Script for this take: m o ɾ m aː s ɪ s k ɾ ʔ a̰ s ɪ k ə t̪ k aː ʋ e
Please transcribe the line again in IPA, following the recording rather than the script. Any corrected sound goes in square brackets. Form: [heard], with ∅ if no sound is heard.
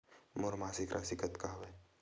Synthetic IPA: m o ɾ m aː s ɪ [∅] k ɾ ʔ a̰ s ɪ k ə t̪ k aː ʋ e